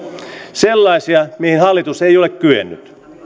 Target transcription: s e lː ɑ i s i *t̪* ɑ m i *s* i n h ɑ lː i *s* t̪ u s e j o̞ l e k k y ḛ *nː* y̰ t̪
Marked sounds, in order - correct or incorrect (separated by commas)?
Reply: incorrect, incorrect, incorrect, correct